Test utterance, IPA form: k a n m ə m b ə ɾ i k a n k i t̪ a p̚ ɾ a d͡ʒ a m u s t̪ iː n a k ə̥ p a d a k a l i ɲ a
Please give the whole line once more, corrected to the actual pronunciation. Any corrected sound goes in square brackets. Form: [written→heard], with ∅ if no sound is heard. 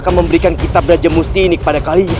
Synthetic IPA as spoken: k a n m ə m b ə ɾ i k a n k i t̪ a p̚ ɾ a d͡ʒ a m u s t̪ iː n [a→i] k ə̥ p a d a k a l i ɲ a